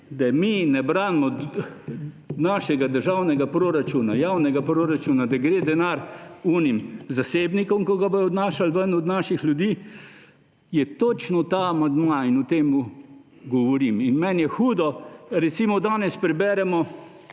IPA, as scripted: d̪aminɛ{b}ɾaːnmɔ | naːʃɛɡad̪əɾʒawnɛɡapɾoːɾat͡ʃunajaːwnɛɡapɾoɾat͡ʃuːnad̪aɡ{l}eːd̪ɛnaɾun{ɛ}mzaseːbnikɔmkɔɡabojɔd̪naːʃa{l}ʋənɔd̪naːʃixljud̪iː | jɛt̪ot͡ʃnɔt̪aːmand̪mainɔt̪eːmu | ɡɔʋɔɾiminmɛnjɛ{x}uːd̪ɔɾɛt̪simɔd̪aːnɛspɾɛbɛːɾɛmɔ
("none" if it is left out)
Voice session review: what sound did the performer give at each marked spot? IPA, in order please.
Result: b, ɾ, i, l, x

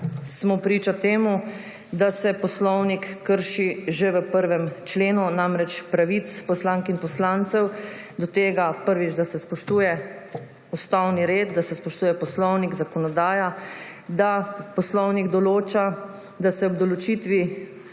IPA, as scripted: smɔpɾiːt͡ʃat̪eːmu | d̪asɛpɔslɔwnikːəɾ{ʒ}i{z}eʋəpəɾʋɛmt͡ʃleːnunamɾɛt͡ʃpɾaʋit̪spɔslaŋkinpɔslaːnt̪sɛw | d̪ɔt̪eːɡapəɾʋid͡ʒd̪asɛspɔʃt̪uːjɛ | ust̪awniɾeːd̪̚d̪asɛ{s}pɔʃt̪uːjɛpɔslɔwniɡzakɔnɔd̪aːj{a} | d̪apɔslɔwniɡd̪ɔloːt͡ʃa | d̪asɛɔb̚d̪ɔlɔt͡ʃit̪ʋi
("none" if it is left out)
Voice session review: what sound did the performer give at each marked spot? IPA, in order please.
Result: ʃ, ʒ, s, a

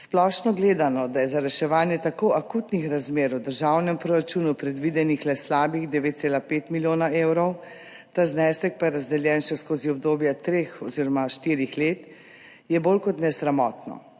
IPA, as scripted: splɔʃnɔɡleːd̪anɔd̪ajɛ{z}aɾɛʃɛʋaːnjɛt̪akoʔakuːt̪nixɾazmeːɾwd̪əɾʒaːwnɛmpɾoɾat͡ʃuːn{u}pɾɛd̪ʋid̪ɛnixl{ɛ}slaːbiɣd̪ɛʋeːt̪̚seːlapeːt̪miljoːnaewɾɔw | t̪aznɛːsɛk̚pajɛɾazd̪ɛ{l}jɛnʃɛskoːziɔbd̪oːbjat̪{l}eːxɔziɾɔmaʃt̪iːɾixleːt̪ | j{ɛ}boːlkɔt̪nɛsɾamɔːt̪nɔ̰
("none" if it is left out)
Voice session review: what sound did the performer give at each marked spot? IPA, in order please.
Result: z, u, ɛ, l, ɾ, ɛ

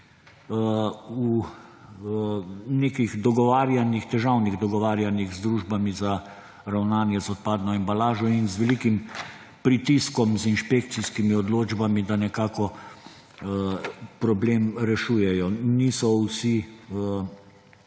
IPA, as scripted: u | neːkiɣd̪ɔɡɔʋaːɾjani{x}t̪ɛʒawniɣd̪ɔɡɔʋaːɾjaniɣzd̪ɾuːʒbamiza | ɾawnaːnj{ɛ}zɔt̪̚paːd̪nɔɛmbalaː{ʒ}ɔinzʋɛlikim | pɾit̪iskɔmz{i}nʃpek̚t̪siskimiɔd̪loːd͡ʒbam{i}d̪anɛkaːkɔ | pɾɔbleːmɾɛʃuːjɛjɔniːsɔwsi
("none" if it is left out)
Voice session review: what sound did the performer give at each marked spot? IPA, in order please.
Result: x, ɛ, ʒ, i, i

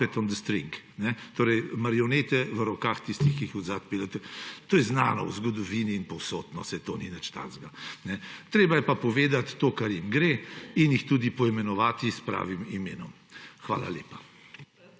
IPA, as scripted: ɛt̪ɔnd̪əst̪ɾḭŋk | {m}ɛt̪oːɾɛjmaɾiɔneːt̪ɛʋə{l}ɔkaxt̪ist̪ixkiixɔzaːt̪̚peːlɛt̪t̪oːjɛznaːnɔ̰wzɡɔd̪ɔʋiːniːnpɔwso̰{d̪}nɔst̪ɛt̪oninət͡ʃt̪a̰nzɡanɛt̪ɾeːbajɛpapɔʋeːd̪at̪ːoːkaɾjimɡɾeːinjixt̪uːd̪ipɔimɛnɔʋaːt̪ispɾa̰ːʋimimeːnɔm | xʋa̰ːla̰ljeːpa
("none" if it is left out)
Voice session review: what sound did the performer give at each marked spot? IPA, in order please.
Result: n, ɾ, t̪

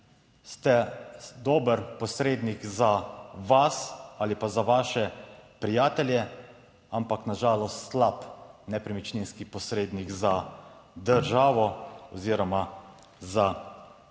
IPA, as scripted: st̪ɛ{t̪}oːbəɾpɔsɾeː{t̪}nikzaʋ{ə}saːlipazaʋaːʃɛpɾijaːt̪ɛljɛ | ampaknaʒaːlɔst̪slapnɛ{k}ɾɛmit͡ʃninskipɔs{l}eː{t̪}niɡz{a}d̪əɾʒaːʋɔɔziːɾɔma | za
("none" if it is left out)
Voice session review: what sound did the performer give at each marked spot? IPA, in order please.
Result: d̪, d̪, a, p, ɾ, d̪, a

